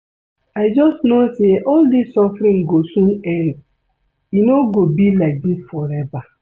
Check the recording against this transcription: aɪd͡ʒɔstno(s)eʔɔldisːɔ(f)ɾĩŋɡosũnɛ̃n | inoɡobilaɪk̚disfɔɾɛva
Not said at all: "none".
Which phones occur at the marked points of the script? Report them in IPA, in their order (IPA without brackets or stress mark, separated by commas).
s, f